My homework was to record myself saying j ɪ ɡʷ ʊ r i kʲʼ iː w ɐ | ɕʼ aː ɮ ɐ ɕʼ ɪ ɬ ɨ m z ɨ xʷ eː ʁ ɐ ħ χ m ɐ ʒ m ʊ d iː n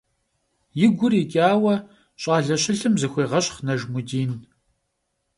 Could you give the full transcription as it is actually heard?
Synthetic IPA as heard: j ɪ ɡʷ ʊ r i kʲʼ aː w ɐ | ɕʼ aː ɮ ɐ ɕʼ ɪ ɬ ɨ m z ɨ xʷ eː ʁ ɐ ɕ χ n ɐ ʒ m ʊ d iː n